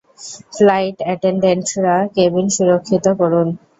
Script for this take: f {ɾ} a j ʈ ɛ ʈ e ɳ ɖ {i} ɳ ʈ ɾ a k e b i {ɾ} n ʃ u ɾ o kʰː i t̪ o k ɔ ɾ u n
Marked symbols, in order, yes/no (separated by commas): no, no, no